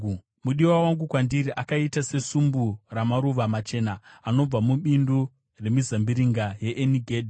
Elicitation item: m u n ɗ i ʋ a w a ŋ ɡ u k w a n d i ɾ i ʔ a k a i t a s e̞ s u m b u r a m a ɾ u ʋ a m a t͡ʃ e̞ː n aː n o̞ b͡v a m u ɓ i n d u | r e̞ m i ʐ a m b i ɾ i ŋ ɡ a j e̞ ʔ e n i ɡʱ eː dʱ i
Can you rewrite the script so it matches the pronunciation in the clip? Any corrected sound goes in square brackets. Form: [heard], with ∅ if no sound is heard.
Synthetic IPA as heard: m u [∅] ɗ i [w] a w a ŋ ɡ u k w a n d i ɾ i ʔ a k a i t a s e̞ s u m b u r a m a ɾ u ʋ a m a t͡ʃ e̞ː n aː n o̞ b͡v a m u ɓ i n d u | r e̞ m i [z] a m b i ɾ i ŋ ɡ a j e̞ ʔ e n i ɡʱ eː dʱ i